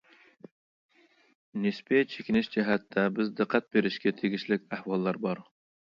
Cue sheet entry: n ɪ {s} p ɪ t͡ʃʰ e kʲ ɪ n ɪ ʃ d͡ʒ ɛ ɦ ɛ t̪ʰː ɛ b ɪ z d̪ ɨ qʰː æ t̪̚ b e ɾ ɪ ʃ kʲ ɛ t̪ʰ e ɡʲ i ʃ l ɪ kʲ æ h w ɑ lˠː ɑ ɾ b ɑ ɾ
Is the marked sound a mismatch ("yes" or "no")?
no